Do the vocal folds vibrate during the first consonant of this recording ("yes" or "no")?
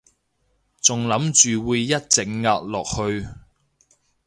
no